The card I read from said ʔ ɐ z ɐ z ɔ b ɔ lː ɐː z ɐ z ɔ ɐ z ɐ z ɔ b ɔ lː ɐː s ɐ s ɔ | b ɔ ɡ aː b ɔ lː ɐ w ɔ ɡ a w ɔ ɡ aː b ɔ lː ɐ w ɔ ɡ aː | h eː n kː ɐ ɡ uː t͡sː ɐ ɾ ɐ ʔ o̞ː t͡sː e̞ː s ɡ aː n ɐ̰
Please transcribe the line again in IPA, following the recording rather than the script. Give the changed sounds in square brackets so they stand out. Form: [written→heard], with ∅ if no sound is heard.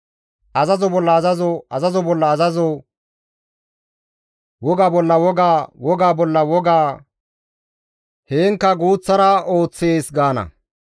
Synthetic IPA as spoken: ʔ ɐ z ɐ z ɔ b ɔ lː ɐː z ɐ z ɔ ɐ z ɐ z ɔ b ɔ lː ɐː [s→z] ɐ [s→z] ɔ | [b→w] ɔ ɡ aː b ɔ lː ɐ w ɔ ɡ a w ɔ ɡ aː b ɔ lː ɐ w ɔ ɡ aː | h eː [n→ŋ] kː ɐ ɡ uː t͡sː ɐ ɾ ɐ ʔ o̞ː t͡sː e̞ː s ɡ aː n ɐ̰